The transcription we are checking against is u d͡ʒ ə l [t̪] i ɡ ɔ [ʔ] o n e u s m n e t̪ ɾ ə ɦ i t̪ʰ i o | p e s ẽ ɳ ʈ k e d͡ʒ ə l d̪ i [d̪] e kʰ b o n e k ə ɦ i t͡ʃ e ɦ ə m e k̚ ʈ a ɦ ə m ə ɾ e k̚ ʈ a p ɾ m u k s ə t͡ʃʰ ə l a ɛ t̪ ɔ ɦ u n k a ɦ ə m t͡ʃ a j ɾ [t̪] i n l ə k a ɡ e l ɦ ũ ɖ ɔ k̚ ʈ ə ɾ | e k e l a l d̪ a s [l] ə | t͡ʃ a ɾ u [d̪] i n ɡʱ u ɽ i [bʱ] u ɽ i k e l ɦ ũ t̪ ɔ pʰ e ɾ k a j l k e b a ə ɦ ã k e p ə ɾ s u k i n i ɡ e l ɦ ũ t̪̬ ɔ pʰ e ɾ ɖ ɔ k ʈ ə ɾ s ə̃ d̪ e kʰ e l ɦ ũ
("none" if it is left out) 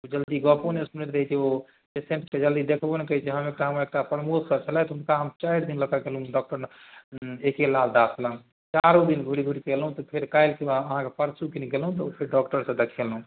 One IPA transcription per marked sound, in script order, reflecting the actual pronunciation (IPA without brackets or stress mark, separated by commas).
d̪, p, d̪, d̪, l, d̪, ɡʱ